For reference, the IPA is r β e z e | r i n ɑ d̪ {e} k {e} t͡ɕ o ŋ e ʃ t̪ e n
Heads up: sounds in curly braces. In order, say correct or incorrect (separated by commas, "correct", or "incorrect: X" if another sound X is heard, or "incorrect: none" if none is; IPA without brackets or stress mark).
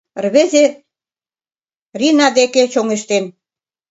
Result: correct, correct